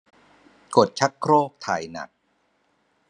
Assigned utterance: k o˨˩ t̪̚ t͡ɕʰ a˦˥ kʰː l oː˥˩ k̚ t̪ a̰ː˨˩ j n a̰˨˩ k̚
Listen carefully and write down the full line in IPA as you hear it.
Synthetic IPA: k o˨˩ t̪̚ t͡ɕʰ a˦˥ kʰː ɾ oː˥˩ k̚ t̪ʰ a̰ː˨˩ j n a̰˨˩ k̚